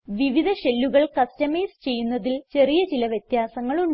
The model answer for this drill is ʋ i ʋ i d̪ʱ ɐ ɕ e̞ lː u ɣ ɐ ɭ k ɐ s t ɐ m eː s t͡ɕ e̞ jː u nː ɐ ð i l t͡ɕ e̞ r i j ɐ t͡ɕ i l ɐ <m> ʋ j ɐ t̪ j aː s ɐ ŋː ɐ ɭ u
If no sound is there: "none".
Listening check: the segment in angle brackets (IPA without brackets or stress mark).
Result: none